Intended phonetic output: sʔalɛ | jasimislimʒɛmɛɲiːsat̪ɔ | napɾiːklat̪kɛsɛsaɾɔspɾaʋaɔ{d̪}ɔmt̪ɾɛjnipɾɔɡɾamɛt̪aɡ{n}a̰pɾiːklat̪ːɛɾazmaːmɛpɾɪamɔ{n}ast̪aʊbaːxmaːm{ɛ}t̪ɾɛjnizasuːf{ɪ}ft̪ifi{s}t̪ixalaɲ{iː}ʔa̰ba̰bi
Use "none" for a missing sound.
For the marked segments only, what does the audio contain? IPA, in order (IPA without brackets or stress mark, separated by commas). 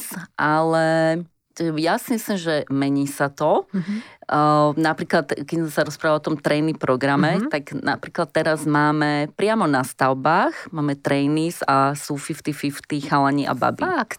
t̪, n, n, ɛ, i, f, i